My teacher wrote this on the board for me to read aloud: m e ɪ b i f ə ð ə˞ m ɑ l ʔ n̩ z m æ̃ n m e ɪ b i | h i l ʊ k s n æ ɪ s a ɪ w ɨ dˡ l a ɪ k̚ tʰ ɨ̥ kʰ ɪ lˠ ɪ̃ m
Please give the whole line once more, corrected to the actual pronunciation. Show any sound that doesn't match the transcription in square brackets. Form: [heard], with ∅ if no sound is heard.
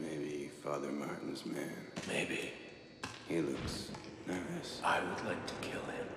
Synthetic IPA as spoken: m e ɪ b i f [ɑ] ð ə˞ m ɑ [ɹ] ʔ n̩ z m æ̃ n m e ɪ b i | h i l ʊ k s n [a] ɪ s a ɪ w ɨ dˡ l a ɪ k̚ tʰ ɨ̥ kʰ ɪ lˠ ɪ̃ m